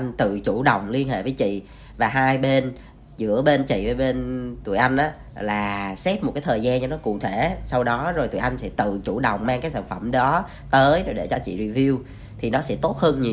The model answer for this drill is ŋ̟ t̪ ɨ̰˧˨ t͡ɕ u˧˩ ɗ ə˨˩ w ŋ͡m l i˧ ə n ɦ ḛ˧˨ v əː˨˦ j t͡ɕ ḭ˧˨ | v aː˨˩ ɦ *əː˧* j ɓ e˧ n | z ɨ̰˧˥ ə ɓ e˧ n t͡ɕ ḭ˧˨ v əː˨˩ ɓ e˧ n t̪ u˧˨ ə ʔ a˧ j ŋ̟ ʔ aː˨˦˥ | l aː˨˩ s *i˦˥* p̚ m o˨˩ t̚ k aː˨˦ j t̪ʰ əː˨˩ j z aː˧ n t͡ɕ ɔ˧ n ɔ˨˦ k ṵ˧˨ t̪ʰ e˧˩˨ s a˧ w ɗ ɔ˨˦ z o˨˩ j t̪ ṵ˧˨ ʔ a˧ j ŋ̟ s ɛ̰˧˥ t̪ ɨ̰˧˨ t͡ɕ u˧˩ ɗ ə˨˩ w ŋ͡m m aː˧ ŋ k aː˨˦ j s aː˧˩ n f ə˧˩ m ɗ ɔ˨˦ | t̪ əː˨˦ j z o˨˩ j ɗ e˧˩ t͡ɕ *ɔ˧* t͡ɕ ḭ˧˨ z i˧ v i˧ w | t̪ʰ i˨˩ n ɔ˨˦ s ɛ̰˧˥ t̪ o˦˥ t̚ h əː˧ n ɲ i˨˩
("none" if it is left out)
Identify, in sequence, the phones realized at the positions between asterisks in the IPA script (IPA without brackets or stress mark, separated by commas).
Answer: aː˧, ɛ˦˥, ɔ˧